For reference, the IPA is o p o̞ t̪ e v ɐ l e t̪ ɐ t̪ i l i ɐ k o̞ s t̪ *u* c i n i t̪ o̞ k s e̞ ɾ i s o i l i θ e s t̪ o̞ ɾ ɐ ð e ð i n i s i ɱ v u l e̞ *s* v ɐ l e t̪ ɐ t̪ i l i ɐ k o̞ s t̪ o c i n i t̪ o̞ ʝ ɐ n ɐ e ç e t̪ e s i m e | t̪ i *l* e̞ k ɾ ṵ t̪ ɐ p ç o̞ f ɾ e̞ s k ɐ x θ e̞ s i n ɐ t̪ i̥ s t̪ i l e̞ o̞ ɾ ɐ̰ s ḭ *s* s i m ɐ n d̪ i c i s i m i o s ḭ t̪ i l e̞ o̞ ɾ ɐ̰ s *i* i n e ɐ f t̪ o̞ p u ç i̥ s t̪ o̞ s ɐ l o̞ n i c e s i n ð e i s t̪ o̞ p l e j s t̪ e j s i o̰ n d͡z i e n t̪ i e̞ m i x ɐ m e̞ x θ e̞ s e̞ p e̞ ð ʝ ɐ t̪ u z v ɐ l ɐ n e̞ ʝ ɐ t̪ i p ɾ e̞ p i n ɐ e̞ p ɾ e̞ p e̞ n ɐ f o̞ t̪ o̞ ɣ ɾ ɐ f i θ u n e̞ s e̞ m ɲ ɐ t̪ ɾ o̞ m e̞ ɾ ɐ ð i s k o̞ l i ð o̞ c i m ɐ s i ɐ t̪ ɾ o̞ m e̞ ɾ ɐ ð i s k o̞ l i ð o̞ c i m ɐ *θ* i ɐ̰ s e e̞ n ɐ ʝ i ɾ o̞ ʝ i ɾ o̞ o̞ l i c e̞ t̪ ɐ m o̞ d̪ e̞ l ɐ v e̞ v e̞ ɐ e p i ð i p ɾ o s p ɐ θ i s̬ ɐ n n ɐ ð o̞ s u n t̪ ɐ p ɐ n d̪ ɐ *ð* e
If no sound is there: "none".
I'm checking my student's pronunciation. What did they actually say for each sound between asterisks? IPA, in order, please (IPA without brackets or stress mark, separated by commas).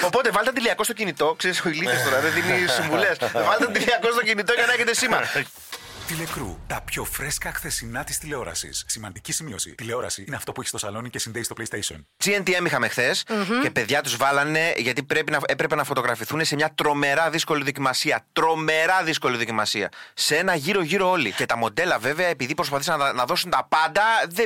o, s, l, s, i, s, ð